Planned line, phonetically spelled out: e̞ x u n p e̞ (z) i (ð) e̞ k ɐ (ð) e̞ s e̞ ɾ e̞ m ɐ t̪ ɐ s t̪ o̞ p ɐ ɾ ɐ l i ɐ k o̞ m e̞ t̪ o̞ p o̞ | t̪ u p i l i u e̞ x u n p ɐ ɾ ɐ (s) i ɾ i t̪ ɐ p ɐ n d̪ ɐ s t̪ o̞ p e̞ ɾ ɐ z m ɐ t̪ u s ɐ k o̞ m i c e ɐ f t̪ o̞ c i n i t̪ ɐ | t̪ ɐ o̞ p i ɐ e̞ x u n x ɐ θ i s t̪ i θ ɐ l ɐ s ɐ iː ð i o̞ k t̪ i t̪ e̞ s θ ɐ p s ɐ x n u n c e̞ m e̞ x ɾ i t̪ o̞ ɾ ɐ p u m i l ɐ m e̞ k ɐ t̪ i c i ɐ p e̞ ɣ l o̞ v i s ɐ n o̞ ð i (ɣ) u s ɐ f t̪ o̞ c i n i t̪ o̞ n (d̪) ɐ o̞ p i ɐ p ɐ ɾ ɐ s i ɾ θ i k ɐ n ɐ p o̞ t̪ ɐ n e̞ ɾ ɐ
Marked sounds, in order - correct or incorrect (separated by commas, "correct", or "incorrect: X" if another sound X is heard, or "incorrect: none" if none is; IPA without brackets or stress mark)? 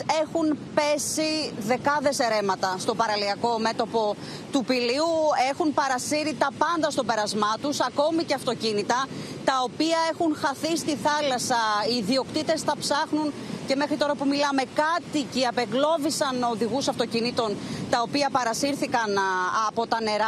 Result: incorrect: s, correct, correct, correct, correct, incorrect: t̪